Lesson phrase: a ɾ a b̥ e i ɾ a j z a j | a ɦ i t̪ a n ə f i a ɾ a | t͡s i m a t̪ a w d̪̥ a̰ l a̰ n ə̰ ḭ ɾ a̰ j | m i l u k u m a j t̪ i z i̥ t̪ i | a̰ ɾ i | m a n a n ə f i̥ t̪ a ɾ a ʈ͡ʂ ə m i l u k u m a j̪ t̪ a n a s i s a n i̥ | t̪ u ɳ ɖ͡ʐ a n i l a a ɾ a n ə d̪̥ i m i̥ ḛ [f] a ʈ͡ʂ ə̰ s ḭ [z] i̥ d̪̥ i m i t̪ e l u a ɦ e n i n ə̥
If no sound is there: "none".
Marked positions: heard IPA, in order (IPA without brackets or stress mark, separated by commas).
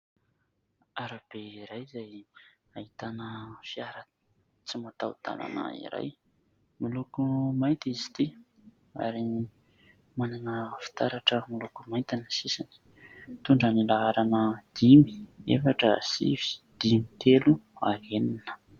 f, v